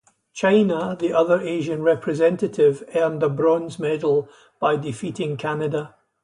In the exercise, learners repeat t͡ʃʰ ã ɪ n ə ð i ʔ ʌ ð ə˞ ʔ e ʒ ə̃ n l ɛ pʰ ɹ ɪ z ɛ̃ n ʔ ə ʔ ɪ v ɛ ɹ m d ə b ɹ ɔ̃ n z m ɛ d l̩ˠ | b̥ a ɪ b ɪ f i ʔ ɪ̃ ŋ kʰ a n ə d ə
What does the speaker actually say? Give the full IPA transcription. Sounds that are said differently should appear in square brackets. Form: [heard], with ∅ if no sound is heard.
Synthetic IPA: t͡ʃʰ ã ɪ n ə ð i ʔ ʌ ð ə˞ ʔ e ʒ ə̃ n [ɹ] ɛ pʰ ɹ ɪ z ɛ̃ n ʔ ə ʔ ɪ v ɛ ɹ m d ə b ɹ ɔ̃ n z m ɛ d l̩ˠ | b̥ a ɪ [d] ɪ f i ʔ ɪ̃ ŋ kʰ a n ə d ə